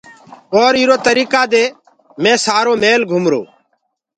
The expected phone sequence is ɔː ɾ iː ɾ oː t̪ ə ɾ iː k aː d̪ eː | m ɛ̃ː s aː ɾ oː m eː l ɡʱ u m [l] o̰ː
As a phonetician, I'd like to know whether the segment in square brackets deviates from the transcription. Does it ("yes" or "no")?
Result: yes